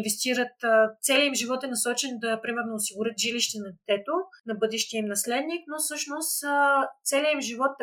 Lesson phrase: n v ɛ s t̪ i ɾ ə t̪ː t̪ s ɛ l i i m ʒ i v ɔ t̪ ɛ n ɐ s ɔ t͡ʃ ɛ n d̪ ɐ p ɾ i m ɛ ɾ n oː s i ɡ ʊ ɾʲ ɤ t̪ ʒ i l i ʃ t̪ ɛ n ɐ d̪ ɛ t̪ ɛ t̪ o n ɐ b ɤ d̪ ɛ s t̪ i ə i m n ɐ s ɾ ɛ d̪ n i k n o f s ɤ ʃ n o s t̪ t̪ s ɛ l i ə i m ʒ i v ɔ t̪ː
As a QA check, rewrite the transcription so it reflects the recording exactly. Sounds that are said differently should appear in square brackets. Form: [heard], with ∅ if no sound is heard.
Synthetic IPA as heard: n v ɛ s t̪ i ɾ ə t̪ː t̪ s ɛ l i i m ʒ i v ɔ t̪ ɛ n ɐ s ɔ t͡ʃ ɛ n d̪ ɐ p ɾ i m ɛ ɾ n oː s i ɡ ʊ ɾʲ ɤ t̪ ʒ i l i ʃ t̪ ɛ n ɐ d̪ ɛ t̪ ɛ t̪ o n ɐ b ɤ d̪ ɛ [ʃ] t̪ i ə i m n ɐ s [l] ɛ d̪ n i k n o f s ɤ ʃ n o s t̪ t̪ s ɛ l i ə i m ʒ i v ɔ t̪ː